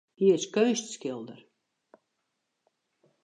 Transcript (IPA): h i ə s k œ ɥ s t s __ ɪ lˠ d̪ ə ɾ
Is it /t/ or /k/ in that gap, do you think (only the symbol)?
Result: k